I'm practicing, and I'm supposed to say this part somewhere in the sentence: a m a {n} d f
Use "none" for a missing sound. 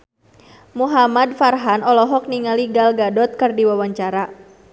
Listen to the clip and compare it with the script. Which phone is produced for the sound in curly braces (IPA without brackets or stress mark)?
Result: none